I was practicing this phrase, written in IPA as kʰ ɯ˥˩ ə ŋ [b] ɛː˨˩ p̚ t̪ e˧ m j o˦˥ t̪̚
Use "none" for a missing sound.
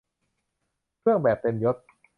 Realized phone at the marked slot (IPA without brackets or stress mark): b